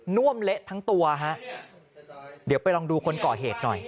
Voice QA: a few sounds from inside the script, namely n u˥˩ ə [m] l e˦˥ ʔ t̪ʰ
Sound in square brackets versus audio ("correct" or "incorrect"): correct